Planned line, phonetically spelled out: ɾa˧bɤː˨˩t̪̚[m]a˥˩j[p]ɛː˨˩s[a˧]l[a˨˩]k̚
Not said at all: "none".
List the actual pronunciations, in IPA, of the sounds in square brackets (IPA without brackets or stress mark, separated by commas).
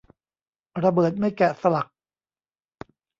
m, k, a˧, a˨˩